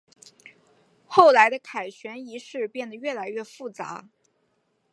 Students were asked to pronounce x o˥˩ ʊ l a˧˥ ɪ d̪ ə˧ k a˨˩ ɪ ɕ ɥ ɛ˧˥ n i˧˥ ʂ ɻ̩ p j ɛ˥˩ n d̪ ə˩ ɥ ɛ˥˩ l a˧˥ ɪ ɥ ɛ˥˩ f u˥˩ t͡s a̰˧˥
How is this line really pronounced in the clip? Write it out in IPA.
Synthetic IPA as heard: x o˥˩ ʊ l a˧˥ ɪ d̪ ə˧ kʰ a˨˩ ɪ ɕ ɥ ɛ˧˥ n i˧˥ ʂ ɻ̩ p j ɛ˥˩ n d̪ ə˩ ɥ ɛ˥˩ l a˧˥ ɪ ɥ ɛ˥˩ f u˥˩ t͡s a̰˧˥